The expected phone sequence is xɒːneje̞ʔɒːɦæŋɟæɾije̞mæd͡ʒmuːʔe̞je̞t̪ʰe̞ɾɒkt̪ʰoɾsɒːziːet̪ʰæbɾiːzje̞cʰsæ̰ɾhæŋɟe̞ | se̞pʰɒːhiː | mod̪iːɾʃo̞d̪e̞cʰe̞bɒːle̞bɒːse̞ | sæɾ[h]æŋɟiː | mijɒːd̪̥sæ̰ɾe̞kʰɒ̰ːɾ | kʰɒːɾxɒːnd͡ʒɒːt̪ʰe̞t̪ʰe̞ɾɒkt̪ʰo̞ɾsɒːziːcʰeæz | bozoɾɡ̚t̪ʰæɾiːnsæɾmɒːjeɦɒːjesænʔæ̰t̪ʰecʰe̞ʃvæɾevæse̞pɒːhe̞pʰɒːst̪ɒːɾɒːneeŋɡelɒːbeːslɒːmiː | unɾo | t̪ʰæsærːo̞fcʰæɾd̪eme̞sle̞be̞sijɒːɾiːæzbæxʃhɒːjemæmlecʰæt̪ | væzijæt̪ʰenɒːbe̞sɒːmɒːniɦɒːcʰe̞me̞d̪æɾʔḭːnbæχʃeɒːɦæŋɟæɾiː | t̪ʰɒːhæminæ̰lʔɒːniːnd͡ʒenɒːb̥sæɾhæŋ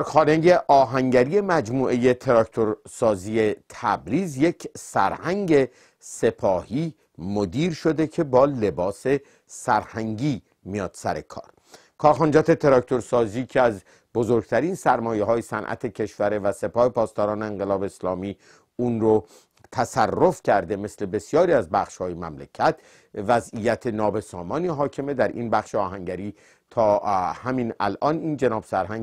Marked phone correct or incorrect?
correct